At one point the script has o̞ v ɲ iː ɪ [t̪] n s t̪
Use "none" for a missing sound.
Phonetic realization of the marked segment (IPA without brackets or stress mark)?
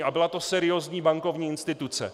none